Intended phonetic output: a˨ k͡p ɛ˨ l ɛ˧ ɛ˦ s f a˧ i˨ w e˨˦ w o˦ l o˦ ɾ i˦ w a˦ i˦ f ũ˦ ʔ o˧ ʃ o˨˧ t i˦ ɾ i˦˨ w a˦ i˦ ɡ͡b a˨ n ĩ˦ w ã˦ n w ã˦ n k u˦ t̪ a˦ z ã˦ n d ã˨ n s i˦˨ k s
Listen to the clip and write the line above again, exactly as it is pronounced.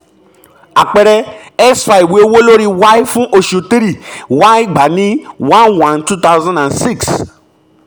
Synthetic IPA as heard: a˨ k͡p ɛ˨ ɾ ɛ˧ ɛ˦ s f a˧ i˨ w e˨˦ w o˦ l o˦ ɾ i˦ w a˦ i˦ f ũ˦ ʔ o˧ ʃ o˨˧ t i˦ ɾ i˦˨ w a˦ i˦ ɡ͡b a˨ n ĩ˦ w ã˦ n w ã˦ n t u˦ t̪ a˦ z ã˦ n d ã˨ n s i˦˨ k s